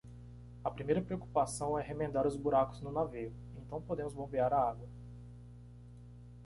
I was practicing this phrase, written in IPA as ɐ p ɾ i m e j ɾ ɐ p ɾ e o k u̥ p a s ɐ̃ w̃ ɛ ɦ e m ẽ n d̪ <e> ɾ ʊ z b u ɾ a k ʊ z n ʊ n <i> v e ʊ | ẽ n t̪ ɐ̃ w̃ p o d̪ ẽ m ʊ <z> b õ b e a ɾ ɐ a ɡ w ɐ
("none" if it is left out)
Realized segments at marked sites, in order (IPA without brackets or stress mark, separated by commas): a, a, z